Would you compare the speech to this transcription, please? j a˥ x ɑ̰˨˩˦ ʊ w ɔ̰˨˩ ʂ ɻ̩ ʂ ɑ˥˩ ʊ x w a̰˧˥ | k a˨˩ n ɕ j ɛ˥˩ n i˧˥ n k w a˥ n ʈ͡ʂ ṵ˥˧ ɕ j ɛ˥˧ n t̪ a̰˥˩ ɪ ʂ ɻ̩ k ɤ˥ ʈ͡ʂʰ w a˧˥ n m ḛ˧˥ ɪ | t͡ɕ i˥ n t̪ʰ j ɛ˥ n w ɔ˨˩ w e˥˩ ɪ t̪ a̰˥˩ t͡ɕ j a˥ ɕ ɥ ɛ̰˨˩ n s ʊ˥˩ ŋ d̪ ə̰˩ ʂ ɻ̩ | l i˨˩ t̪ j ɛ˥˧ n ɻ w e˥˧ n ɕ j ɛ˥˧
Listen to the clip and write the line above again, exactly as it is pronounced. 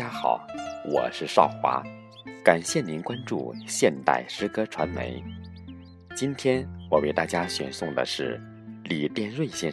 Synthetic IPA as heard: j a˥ x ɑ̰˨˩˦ ʊ w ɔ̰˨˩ ʂ ɻ̩ ʂ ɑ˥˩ ʊ x w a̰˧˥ | k a˨˩ n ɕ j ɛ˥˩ n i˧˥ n k w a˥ n ʈ͡ʂ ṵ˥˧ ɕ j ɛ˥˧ n t̪ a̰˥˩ ɪ ʂ ɻ̩ k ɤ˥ ʈ͡ʂʰ w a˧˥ n m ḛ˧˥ ɪ | t͡ɕ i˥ n t̪ʰ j ɛ˥ n w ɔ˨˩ w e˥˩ ɪ t̪ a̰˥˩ t͡ɕ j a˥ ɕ ɥ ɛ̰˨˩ n s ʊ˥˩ ŋ d̪ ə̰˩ ʂ ɻ̩ | l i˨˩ t̪ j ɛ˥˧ n ɻ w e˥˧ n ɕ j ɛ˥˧